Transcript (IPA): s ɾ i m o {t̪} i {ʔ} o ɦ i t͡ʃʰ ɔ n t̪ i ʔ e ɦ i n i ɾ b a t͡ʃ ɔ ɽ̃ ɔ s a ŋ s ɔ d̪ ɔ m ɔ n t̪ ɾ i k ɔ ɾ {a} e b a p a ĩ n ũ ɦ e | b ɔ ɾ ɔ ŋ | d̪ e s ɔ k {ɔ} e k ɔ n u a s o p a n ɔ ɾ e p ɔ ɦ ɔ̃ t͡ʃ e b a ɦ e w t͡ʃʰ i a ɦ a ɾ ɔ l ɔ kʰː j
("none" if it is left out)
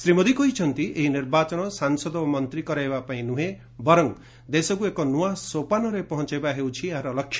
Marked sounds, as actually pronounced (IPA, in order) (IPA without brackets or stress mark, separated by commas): d̪, k, a, u